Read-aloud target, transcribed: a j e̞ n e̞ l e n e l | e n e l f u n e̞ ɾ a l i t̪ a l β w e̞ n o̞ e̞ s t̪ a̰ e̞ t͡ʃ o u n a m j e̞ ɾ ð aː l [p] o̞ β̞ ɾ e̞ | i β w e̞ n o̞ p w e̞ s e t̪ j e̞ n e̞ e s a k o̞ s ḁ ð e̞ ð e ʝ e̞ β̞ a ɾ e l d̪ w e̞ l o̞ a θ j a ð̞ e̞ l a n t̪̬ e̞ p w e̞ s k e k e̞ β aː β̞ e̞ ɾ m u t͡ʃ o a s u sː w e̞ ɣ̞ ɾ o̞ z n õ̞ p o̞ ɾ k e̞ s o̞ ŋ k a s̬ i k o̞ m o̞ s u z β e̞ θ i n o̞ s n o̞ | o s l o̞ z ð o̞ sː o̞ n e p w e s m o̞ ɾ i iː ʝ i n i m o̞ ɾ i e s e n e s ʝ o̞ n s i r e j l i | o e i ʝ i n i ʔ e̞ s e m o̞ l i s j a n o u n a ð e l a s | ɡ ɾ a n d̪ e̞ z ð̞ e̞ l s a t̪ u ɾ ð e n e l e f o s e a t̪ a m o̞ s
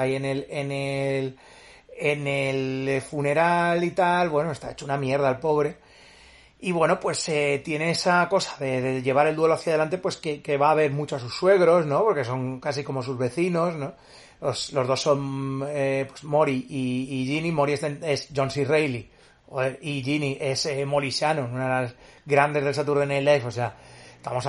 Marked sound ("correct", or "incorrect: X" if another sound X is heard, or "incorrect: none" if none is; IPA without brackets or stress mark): correct